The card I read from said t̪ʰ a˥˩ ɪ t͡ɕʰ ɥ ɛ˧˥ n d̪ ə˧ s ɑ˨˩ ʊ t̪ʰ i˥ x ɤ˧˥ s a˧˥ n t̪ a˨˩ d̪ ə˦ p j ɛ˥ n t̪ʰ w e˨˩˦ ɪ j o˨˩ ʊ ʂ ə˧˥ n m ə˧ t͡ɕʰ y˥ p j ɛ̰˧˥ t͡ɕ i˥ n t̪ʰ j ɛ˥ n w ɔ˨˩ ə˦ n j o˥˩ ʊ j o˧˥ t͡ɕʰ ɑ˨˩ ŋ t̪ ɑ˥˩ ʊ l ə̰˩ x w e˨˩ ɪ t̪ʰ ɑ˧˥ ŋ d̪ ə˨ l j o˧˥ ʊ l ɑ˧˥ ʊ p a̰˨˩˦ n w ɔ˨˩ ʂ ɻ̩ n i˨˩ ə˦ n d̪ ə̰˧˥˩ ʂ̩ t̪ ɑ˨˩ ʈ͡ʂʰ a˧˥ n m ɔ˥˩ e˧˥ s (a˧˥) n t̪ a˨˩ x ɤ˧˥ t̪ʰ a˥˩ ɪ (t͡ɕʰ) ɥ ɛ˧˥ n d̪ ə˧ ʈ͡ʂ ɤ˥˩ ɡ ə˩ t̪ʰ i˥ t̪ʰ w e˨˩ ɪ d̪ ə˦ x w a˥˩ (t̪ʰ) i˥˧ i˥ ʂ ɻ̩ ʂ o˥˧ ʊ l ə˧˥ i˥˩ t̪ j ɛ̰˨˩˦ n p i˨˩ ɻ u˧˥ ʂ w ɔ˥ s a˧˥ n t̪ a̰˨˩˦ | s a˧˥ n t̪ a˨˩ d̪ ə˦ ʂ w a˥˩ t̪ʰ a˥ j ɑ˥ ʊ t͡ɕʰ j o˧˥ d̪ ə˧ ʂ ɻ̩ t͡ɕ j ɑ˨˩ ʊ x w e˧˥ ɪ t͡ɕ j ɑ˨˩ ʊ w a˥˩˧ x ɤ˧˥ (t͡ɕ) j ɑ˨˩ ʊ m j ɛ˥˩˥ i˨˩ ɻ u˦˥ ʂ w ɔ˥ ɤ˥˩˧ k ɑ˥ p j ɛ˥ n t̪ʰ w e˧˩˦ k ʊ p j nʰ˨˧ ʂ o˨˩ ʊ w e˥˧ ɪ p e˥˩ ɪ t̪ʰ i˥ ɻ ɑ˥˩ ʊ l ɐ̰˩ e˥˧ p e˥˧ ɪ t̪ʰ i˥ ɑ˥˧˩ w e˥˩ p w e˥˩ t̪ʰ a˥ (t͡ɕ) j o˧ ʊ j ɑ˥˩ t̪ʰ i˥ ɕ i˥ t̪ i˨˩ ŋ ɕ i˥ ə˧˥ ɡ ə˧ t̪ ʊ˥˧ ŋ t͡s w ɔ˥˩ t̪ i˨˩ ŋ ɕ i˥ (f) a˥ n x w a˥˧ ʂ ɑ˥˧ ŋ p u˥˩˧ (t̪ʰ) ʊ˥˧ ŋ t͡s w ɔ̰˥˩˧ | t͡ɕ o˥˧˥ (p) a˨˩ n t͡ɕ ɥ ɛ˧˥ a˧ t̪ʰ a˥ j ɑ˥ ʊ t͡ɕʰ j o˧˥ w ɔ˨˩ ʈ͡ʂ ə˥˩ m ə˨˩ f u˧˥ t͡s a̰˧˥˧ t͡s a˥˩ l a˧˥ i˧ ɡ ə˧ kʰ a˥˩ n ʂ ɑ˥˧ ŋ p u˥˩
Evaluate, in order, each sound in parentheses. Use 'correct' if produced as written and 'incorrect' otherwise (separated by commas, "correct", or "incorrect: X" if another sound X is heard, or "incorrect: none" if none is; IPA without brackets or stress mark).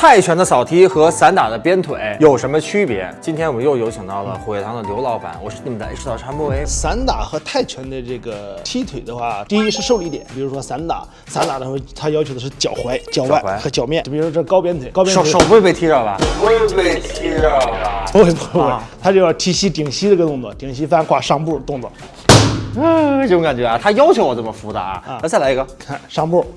correct, correct, incorrect: t̪, correct, correct, correct, incorrect: t̪, incorrect: k